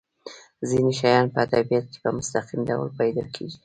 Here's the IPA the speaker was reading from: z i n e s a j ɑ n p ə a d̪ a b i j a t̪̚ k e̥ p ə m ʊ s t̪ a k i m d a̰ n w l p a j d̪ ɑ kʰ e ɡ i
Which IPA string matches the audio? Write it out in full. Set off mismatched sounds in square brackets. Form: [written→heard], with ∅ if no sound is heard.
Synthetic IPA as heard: z i n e [s→ʃ] a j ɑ n p ə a d̪ a b i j a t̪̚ k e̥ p ə m ʊ s t̪ a [k→q] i m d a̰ [n→∅] w l p a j d̪ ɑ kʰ e ɡ i